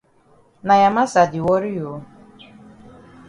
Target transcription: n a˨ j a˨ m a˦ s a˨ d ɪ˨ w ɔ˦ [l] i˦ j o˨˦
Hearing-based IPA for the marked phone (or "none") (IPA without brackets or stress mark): ɾ